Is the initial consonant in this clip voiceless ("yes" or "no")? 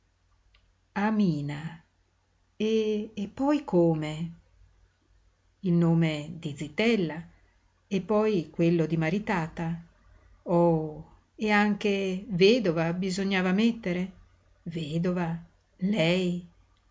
no